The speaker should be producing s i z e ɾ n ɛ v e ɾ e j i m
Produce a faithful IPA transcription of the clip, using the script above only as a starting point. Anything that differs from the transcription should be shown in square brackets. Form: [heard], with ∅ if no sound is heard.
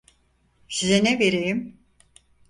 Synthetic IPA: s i z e [∅] n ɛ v e ɾ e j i m